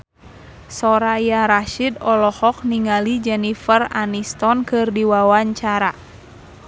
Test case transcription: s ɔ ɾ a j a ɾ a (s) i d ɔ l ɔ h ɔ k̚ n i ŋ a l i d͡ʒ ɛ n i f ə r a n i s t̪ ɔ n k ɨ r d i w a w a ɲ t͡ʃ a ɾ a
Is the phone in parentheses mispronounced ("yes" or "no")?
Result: yes